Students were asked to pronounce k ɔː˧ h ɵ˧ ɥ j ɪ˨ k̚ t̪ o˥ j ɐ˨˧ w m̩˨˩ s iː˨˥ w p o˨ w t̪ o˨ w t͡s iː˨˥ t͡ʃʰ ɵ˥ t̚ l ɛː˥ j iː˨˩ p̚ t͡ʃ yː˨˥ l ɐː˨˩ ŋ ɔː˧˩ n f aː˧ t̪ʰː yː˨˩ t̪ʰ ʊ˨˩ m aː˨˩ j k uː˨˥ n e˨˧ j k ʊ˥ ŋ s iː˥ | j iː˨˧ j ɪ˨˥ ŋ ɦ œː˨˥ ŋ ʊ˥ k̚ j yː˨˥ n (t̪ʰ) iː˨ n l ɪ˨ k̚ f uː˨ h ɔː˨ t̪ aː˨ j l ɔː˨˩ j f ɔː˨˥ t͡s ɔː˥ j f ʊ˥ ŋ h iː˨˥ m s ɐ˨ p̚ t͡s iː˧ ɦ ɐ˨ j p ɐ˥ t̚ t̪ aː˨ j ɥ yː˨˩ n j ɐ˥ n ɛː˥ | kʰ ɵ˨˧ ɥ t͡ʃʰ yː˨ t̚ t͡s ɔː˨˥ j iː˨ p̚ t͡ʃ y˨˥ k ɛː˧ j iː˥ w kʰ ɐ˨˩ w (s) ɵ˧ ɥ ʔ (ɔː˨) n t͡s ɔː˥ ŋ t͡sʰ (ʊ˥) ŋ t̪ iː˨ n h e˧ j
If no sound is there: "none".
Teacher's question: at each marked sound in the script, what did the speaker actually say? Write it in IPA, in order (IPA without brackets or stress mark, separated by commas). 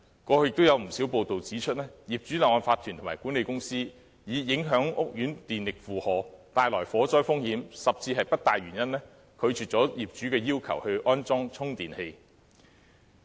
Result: t̪, h, ɔː˥, ʊ˥